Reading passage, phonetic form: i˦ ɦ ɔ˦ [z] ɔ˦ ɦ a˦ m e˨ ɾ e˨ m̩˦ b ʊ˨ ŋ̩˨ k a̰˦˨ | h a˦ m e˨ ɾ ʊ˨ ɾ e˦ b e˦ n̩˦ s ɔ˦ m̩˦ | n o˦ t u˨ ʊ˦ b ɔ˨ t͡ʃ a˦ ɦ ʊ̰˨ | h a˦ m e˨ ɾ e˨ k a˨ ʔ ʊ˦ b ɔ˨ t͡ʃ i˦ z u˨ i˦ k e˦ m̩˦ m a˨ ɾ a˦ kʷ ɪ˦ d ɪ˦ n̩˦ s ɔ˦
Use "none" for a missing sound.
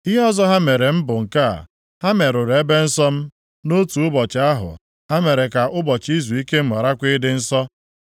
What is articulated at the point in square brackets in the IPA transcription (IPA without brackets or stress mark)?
z